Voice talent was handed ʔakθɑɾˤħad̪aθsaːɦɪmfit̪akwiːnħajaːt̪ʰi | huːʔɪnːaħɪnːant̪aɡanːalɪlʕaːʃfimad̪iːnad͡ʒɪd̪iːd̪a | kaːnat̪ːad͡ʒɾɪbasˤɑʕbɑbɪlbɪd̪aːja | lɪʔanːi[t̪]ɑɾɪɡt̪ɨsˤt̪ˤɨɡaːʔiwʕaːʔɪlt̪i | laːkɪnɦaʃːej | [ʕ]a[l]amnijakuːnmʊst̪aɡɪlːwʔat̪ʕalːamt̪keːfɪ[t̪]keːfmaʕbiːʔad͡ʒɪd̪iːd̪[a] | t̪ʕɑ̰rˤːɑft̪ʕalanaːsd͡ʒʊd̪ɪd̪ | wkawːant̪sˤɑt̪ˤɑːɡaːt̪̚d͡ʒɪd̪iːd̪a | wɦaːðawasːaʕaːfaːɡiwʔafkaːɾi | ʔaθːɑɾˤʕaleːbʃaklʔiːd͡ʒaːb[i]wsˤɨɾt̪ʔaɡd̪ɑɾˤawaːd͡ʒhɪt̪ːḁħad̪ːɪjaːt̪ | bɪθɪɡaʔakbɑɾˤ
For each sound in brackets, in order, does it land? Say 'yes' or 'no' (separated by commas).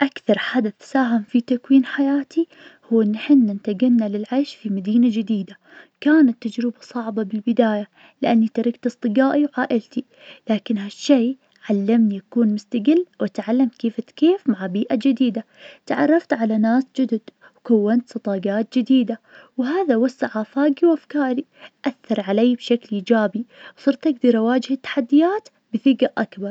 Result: yes, yes, no, yes, yes, yes